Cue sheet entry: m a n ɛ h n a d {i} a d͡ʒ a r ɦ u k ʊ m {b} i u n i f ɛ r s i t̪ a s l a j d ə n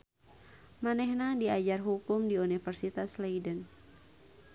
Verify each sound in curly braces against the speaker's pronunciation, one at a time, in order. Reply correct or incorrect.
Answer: correct, incorrect: d

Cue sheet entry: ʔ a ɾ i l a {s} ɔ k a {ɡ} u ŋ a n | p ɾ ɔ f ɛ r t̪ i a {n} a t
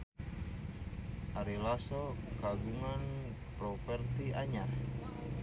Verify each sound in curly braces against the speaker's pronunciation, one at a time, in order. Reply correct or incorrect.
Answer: correct, correct, incorrect: ɲ

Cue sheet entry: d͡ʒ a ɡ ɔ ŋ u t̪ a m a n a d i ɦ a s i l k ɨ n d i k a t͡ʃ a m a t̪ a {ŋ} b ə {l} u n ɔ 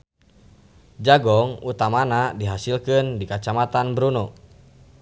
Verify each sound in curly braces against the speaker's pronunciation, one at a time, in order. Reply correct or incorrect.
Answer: incorrect: n, incorrect: ɾ

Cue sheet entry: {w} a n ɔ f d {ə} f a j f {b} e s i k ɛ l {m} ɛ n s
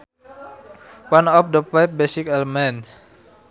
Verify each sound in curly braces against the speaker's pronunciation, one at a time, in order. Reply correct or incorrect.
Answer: correct, correct, correct, correct

